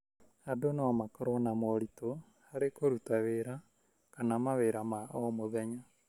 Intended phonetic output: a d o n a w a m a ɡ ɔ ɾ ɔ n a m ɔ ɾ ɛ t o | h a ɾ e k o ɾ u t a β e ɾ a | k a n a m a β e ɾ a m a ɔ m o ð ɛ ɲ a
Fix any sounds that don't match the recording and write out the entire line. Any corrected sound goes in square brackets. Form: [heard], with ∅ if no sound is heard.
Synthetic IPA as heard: a d o n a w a m a [k] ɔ ɾ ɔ n a m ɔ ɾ [i] t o | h a ɾ e k o ɾ u t a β e ɾ a | k a n a m a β e ɾ a m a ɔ m o ð ɛ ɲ a